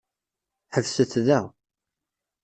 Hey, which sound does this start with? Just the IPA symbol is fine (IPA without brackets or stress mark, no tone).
ħ